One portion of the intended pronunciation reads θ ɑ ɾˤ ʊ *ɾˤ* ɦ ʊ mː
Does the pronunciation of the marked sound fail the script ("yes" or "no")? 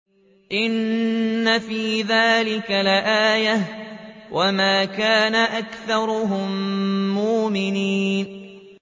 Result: yes